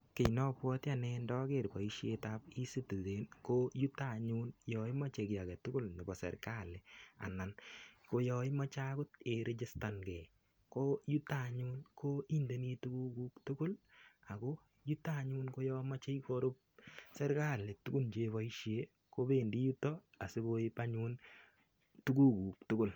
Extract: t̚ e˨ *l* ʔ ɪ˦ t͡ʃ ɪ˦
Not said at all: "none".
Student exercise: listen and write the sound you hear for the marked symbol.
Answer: ɾ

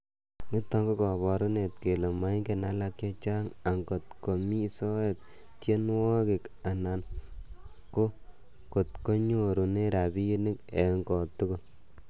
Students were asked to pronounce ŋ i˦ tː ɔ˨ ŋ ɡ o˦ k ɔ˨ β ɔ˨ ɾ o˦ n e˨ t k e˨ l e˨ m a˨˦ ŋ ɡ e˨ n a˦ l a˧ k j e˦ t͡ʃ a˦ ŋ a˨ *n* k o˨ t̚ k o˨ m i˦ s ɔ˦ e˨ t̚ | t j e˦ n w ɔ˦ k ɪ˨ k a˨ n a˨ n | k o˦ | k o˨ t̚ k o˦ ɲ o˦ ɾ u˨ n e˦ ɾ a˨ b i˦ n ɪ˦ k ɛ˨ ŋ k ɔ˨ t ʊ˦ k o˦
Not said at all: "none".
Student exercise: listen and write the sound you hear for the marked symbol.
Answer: ŋ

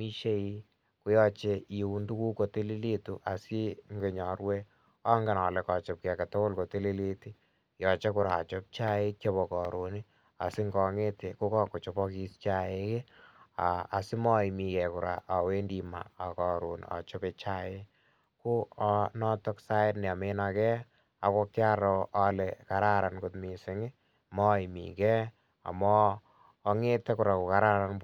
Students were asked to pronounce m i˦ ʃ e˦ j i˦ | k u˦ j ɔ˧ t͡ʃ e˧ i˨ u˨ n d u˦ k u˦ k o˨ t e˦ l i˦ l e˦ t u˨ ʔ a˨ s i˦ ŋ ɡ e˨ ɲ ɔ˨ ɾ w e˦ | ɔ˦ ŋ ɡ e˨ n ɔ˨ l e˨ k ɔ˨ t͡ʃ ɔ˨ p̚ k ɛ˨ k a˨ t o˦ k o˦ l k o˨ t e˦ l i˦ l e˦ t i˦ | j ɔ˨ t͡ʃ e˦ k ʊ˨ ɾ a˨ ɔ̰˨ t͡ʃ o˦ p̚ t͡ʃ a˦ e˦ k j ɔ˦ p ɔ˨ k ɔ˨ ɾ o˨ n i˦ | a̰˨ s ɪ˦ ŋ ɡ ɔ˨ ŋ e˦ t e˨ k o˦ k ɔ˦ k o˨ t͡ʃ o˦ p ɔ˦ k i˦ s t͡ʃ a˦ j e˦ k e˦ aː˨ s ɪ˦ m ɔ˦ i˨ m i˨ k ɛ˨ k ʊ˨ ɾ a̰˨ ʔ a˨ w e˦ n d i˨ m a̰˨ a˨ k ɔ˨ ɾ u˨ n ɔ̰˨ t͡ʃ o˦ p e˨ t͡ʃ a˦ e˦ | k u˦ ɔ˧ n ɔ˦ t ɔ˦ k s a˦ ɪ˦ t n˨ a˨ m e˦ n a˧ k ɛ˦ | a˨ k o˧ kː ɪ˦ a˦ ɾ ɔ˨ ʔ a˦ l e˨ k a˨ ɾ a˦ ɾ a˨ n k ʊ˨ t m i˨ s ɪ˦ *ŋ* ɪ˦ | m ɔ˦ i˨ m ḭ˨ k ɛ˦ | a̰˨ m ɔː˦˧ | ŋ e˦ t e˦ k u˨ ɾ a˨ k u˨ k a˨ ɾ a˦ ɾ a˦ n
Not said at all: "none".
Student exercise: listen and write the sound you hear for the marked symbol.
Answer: ŋ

